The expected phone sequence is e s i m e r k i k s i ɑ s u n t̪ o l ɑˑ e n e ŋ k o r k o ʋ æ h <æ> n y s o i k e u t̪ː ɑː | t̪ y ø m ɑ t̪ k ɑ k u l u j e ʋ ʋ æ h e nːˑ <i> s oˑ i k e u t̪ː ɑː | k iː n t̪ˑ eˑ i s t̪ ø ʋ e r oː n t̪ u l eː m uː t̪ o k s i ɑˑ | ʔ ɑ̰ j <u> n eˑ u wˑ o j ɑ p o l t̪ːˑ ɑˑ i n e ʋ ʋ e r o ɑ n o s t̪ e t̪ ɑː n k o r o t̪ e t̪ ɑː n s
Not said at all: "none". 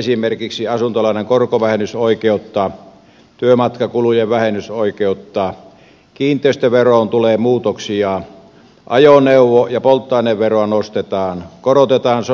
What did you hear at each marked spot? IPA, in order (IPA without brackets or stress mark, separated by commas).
e, y, o